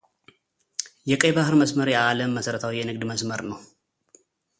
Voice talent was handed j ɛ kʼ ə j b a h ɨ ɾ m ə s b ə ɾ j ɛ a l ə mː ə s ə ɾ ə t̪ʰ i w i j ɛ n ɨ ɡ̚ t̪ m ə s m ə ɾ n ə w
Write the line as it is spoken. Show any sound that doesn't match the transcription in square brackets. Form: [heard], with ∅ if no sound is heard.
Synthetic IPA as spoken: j ɛ kʼ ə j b a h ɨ ɾ m ə s [m] ə ɾ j ɛ a l ə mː ə s ə ɾ ə t̪ʰ [a] w i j ɛ n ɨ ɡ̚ [d̪] m ə s m ə ɾ n ə w